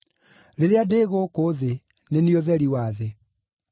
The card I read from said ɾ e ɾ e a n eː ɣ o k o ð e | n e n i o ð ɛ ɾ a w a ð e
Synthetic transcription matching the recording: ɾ e ɾ e a d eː ɣ o k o ð e | n e n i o ð ɛ ɾ i w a ð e